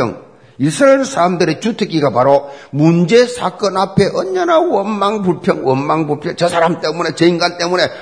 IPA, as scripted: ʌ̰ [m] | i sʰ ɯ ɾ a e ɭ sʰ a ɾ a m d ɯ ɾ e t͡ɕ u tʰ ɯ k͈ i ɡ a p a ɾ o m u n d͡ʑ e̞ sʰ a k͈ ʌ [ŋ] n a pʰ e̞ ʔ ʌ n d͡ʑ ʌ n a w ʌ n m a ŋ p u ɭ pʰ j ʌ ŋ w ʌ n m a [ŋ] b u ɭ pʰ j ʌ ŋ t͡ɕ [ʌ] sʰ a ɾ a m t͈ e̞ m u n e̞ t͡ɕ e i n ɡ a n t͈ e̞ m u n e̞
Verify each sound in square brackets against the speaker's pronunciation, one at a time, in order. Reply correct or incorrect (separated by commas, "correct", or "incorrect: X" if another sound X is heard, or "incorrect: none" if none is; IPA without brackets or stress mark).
incorrect: ŋ, incorrect: none, correct, correct